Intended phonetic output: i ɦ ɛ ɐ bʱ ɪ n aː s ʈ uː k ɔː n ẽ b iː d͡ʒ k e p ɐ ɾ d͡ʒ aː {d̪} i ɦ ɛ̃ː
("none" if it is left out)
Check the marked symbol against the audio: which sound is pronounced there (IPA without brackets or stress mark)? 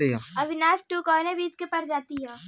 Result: t̪